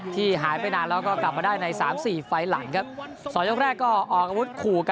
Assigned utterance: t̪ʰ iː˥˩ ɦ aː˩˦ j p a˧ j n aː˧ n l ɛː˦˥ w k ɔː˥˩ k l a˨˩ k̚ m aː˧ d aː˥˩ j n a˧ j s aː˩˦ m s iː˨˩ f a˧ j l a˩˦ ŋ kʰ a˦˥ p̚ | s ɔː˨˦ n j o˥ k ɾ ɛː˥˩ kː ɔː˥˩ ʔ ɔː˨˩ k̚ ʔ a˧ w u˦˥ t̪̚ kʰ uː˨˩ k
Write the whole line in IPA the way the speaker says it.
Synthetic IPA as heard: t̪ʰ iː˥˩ ɦ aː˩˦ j p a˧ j n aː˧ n l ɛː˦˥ w k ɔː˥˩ k l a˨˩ p̚ m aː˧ d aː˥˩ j n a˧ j s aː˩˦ m s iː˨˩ f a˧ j l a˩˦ ŋ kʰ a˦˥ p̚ | s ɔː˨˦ n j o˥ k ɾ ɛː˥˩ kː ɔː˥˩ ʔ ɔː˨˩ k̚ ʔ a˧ w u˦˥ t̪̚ kʰ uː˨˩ k